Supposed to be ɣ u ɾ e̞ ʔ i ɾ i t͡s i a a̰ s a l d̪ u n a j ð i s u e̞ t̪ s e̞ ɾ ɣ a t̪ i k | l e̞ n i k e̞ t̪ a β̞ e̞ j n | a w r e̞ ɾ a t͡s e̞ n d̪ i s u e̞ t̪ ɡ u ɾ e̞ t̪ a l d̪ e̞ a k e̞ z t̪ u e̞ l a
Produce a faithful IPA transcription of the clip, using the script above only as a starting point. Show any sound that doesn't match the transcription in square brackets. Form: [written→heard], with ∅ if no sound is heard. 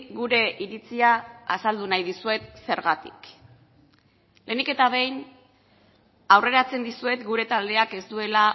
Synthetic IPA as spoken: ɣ u ɾ e̞ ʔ i ɾ i t͡s i a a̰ s a l d̪ u n a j ð i s u e̞ t̪ s e̞ ɾ ɣ a t̪ i k | l e̞ n i k e̞ t̪ a β̞ e̞ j n | a w r e̞ ɾ a t͡s e̞ n d̪ i s u e̞ t̪ ɡ u ɾ e̞ t̪ a l d̪ e̞ a k e̞ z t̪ u e̞ l a